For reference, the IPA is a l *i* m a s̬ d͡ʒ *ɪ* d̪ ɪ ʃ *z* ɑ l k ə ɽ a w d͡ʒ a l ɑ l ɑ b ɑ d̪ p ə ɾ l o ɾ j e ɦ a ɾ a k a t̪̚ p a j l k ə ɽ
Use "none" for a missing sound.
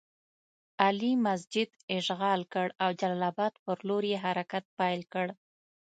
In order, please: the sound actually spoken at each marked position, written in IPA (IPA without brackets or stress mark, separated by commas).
i, ɪ, ɣ